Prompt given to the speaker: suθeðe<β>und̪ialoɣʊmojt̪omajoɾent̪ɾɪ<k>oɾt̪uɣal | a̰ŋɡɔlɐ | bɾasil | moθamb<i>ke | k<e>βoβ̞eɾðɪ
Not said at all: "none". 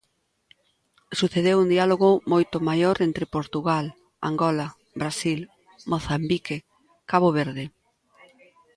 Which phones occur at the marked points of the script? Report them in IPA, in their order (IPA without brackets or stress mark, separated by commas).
w, p, i, a